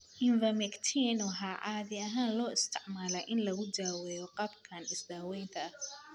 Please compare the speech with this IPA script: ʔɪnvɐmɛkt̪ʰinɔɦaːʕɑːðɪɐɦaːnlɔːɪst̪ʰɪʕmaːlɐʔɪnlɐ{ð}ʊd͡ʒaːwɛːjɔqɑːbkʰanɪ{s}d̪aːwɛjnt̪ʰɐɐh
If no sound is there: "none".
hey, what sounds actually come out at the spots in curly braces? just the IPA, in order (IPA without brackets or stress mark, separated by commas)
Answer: ɣ, s